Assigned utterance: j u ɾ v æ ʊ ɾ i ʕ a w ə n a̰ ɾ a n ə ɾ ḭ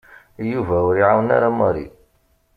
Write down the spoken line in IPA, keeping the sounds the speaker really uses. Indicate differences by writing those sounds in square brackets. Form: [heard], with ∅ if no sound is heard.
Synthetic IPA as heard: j u [∅] v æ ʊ ɾ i ʕ a w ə n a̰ ɾ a [m] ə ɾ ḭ